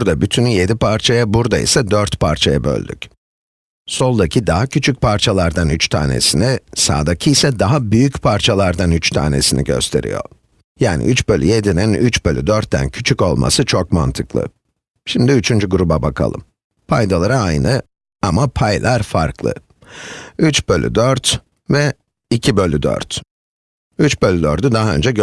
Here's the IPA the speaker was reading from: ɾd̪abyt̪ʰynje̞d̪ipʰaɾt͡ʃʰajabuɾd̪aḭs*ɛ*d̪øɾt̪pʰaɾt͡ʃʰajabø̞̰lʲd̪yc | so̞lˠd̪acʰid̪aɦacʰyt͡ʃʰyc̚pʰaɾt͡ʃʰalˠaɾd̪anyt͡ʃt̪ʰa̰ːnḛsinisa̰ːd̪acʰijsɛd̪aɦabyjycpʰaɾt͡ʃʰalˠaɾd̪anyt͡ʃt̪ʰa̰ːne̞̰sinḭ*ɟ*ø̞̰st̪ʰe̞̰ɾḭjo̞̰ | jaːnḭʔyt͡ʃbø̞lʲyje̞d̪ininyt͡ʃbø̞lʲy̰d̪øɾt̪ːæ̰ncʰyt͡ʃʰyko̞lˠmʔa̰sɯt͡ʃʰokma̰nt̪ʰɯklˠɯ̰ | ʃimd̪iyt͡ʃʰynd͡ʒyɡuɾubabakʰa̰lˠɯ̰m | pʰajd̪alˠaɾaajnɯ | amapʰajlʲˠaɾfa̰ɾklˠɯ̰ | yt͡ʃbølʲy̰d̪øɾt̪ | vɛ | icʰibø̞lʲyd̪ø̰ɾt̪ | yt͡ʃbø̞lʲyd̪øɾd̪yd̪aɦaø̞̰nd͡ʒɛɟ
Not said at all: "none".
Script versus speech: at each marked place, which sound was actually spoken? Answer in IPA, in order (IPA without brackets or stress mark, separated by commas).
ɛ, ɟ